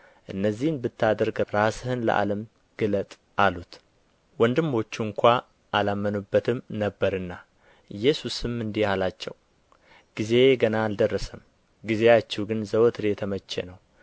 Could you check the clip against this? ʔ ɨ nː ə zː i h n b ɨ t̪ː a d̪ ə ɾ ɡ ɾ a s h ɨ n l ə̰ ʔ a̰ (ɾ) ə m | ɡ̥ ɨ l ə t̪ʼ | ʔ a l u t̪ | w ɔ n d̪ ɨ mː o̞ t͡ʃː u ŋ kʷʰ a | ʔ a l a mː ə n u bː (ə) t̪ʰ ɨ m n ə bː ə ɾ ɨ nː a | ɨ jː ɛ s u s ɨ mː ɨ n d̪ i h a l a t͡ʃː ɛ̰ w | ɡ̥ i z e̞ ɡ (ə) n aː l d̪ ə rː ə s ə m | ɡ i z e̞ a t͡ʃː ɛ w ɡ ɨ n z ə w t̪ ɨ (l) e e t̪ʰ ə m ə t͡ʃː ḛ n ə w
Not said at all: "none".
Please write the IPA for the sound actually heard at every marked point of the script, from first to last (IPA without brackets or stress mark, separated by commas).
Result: l, ə, ə, ɾ